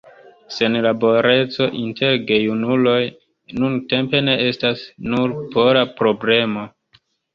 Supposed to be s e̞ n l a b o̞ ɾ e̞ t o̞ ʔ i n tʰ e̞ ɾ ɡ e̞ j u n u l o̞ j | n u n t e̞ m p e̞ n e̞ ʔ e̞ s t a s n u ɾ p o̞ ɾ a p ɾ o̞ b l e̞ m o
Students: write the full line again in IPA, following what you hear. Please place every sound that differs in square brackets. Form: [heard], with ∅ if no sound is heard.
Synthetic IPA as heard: s e̞ n l a b o̞ ɾ e̞ [t͡s] o̞ ʔ i n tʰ e̞ ɾ ɡ e̞ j u n u l o̞ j | n u n t e̞ m p e̞ n e̞ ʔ e̞ s t a s n u ɾ p o̞ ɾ a p ɾ o̞ b l e̞ m o